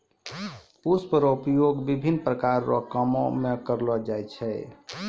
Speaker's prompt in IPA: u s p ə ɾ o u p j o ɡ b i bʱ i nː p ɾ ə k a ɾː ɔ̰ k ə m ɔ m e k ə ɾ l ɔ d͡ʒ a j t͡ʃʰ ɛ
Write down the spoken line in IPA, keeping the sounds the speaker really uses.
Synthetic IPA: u s p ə ɾ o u p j o ɡ b i bʱ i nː p ɾ ə k a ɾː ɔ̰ k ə m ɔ m e k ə ɾ l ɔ d͡ʒ a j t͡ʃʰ ɛ